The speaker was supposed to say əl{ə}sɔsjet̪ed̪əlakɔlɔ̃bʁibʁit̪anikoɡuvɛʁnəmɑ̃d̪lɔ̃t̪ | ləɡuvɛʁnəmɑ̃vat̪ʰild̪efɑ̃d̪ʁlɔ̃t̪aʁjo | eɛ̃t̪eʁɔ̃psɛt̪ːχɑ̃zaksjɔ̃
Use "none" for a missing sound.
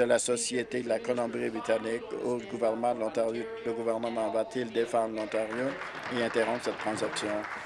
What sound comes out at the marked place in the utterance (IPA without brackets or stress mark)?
a